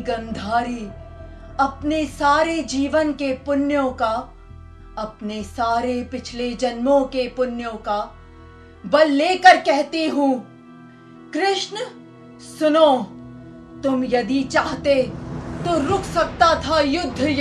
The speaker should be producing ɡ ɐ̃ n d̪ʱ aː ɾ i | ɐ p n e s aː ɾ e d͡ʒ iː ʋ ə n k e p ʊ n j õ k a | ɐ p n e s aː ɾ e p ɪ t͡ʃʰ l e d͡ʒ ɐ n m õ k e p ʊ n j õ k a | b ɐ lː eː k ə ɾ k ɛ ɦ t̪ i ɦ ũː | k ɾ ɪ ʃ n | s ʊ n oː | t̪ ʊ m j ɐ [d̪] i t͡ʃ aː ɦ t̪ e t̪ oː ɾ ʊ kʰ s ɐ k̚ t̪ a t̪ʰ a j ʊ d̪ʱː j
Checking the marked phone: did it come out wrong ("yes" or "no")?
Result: no